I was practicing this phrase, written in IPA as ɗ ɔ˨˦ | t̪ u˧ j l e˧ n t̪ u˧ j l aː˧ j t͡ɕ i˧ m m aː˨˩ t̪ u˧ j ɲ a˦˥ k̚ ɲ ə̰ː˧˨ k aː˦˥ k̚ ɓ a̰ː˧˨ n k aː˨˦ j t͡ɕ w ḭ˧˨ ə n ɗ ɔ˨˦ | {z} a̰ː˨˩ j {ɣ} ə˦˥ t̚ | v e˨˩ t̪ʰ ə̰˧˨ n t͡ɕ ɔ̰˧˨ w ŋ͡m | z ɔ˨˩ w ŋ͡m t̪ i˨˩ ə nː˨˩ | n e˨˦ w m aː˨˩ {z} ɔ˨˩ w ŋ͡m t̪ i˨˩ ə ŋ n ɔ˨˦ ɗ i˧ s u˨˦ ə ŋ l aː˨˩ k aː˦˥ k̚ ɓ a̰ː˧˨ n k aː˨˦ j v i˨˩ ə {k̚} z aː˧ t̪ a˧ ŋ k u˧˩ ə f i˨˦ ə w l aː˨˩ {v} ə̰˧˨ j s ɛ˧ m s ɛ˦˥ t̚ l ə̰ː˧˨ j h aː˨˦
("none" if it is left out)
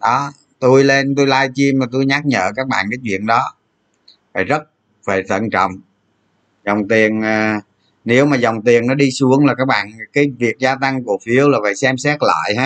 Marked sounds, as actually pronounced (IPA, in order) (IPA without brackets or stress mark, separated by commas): v, z, z, k̚, v